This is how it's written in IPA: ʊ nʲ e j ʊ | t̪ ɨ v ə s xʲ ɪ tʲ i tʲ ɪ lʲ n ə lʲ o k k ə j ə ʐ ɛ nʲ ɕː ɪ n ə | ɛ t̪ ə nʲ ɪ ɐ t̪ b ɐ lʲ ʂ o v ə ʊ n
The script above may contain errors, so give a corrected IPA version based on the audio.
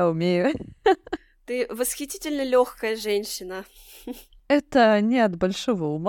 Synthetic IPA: ʊ mʲ e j ʊ | t̪ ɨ v ə s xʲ ɪ tʲ i tʲ ɪ lʲ n ə lʲ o x k ə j ə ʐ ɛ nʲ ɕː ɪ n ə | ɛ t̪ ə nʲ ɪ ɐ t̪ b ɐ lʲ ʂ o v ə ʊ m